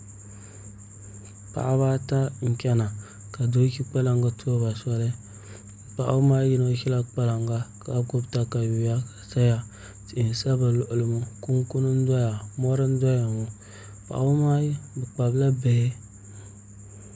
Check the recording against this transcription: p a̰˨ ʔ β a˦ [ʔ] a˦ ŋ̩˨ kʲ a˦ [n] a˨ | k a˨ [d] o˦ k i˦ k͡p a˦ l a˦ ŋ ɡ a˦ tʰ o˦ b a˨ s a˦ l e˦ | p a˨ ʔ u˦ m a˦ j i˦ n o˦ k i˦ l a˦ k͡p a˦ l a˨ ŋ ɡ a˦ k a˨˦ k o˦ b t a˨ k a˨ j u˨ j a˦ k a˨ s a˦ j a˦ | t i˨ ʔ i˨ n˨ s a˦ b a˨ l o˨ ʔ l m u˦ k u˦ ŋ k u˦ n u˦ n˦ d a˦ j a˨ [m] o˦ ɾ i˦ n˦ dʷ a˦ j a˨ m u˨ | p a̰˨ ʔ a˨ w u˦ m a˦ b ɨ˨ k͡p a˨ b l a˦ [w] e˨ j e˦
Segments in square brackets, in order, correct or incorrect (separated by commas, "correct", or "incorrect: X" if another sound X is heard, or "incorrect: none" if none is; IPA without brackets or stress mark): incorrect: t, correct, correct, correct, incorrect: b